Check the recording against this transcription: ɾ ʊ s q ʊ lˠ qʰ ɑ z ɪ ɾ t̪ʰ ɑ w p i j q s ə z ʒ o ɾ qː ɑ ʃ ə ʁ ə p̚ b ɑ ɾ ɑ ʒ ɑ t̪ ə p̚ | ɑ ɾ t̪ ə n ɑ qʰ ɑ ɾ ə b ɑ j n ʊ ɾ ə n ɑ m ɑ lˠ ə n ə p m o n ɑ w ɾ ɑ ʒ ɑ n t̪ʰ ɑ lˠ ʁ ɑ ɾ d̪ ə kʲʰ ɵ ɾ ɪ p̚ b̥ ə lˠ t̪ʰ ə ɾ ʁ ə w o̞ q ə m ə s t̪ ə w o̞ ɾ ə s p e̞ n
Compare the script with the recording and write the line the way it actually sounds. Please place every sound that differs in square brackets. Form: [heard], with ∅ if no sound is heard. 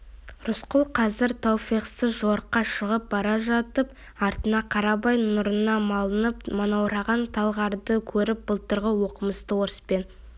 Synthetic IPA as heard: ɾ ʊ s q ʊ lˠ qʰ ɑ z ɪ ɾ t̪ʰ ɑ w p i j q s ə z ʒ o ɾ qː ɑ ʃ ə ʁ ə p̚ b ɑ ɾ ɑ ʒ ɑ t̪ ə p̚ | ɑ ɾ t̪ ə n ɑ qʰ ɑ ɾ [ɑ] b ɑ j n ʊ ɾ ə n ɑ m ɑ lˠ ə n ə p m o n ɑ w ɾ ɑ [ʁ] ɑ n t̪ʰ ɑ lˠ ʁ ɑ ɾ d̪ ə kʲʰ ɵ ɾ ɪ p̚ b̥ ə lˠ [t̪] ə ɾ ʁ ə w o̞ q ə m ə s t̪ ə w o̞ ɾ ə s p e̞ n

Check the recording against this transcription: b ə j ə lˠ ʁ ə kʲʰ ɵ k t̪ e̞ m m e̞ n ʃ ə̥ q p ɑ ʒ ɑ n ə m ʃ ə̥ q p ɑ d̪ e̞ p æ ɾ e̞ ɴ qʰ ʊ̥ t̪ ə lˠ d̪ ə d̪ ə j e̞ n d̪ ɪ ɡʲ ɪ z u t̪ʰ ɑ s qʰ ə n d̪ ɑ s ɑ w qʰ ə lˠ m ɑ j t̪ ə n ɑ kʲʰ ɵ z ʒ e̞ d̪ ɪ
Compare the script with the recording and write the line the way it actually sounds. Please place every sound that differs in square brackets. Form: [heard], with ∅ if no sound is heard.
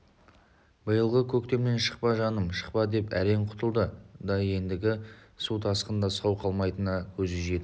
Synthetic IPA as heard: b ə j ə lˠ ʁ ə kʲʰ ɵ k t̪ e̞ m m e̞ n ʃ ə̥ q p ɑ ʒ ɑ n ə m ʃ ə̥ q p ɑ d̪ e̞ p æ ɾ e̞ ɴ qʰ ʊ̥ t̪ ə lˠ d̪ ə d̪ [ɑ] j e̞ n d̪ ɪ ɡʲ ɪ [s] u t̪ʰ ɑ s [q] ə n d̪ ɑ s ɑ w qʰ [ɑ] lˠ m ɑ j t̪ ə n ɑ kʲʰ ɵ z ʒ e̞ d̪ ɪ

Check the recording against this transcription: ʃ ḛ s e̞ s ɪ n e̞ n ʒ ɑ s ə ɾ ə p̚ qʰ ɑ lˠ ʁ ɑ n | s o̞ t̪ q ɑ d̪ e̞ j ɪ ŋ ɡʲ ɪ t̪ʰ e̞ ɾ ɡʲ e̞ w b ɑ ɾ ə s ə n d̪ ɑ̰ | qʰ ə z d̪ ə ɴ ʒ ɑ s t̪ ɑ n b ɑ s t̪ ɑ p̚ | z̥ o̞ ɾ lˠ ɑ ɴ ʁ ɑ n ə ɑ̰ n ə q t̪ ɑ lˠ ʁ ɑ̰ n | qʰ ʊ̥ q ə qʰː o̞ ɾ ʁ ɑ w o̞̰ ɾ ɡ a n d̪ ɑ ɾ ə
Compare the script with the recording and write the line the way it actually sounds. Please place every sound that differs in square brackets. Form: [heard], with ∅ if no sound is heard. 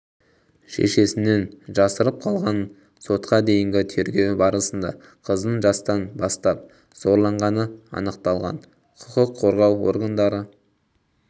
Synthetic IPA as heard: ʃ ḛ [ʃ] e̞ s ɪ n e̞ n ʒ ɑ s ə ɾ ə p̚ qʰ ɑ lˠ ʁ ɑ n | s o̞ t̪ q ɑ d̪ e̞ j ɪ ŋ ɡʲ ɪ t̪ʰ e̞ ɾ ɡʲ e̞ w b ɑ ɾ ə s ə n d̪ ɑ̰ | qʰ ə z d̪ ə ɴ ʒ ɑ s t̪ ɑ n b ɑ s t̪ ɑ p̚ | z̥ o̞ ɾ lˠ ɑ ɴ ʁ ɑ n ə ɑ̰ n ə q t̪ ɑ lˠ ʁ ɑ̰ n | qʰ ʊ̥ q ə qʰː o̞ ɾ ʁ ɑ w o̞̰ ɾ ɡ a n d̪ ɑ ɾ ə

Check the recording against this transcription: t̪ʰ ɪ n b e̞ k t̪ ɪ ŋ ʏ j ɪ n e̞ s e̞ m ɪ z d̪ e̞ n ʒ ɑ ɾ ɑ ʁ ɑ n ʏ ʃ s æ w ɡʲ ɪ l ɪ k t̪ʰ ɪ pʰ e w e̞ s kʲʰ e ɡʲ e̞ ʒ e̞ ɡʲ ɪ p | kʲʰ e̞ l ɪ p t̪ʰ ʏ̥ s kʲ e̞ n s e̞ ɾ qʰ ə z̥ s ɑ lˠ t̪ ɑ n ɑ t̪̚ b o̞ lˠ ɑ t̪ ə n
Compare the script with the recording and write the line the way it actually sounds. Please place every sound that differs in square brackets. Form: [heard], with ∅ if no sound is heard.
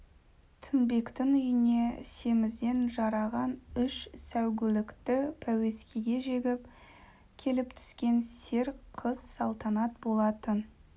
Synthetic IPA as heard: t̪ʰ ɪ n b e̞ k t̪ ɪ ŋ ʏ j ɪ n e̞ s e̞ m ɪ z d̪ e̞ n ʒ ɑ ɾ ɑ ʁ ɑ n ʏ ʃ s æ w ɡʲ ɪ l ɪ k [t̪] ɪ pʰ [æ] w e̞ s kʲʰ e ɡʲ e̞ ʒ e̞ ɡʲ ɪ p | kʲʰ e̞ l ɪ p t̪ʰ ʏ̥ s kʲ e̞ n s e̞ ɾ qʰ ə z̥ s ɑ lˠ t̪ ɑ n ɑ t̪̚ b o̞ lˠ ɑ t̪ ə n

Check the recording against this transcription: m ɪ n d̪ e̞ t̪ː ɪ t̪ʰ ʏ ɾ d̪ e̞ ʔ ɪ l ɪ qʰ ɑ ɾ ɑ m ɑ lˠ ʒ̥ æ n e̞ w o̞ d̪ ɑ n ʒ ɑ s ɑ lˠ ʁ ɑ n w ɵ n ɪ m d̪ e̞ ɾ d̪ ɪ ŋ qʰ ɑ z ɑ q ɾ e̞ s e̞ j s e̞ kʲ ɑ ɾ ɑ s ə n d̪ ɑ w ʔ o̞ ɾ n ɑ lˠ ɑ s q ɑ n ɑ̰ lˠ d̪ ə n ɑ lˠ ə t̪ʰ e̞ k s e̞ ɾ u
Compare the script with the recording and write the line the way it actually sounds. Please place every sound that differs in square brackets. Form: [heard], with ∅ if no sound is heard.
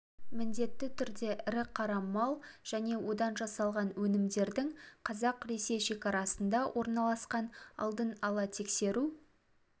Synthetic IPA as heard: m ɪ n d̪ e̞ t̪ː ɪ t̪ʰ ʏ ɾ d̪ e̞ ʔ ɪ [ɾ] ɪ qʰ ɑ ɾ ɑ m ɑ lˠ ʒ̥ æ n e̞ w o̞ d̪ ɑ n ʒ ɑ s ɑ lˠ ʁ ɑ n w ɵ n ɪ m d̪ e̞ ɾ d̪ ɪ ŋ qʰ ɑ z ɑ q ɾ e̞ s e̞ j [ʃ] e̞ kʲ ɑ ɾ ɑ s ə n d̪ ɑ w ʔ o̞ ɾ n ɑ lˠ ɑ s q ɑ n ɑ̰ lˠ d̪ ə n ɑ lˠ [ɑ] t̪ʰ e̞ k s e̞ ɾ u

